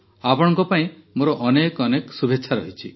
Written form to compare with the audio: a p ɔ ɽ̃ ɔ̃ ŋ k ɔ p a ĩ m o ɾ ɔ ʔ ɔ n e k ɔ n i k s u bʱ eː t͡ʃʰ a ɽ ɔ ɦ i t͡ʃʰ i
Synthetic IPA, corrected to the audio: a p ɔ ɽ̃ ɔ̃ ŋ k ɔ p a ĩ m o ɾ ɔ ʔ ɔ n e k ɔ n e k s u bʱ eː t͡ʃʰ a ɾ ɔ ɦ i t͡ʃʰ i